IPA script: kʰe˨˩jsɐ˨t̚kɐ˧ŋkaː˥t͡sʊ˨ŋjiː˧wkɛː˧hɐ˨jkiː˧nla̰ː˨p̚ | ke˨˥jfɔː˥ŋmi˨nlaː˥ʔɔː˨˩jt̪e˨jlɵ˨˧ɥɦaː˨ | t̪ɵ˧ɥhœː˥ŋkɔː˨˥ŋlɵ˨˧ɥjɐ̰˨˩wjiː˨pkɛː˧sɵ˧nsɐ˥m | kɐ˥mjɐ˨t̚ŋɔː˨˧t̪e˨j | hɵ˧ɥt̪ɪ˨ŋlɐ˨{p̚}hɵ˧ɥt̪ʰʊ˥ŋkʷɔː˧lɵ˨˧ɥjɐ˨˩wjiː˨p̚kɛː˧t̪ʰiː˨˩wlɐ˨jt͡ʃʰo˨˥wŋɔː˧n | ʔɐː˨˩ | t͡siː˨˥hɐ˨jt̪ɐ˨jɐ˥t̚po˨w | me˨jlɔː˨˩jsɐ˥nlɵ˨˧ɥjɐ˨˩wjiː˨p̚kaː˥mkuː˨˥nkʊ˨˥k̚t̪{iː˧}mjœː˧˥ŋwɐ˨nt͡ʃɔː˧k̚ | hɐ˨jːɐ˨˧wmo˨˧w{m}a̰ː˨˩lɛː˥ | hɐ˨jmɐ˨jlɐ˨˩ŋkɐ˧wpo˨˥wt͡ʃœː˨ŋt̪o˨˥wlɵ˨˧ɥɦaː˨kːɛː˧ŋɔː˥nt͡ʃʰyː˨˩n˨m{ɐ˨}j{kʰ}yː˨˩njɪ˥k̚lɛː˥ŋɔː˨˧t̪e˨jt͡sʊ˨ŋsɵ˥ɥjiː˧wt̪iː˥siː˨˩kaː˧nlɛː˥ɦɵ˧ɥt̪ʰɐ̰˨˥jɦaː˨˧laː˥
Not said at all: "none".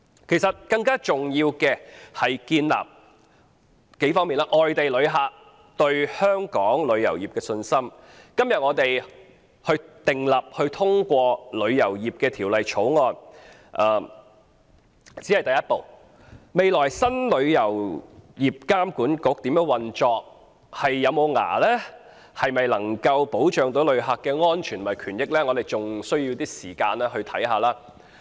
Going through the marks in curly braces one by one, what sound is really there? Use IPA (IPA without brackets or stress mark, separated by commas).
p̚, iː˨˥, ŋ, ɐ˨, kʰ